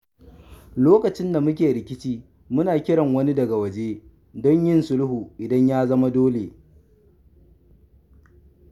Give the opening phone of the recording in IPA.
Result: l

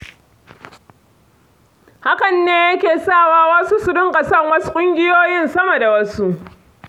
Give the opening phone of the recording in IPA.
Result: h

